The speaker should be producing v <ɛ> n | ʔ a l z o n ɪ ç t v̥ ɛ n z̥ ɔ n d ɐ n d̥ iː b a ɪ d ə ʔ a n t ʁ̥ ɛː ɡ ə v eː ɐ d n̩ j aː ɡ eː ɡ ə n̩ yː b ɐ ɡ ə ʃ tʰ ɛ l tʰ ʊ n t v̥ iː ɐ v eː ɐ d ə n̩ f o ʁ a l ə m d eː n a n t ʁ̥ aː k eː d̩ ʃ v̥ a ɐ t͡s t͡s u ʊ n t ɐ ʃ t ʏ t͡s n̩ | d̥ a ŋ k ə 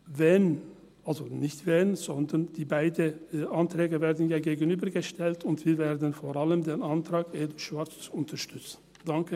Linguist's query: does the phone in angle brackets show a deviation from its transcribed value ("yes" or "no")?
no